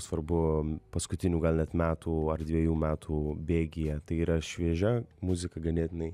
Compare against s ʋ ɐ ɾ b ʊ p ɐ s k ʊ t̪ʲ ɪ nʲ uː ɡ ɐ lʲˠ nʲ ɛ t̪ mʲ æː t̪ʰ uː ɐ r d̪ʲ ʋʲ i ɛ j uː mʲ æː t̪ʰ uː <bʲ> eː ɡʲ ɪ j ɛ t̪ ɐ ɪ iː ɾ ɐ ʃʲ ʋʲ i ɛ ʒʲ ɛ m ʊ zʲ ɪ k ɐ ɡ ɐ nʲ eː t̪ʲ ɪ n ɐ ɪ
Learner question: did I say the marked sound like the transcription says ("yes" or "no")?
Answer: yes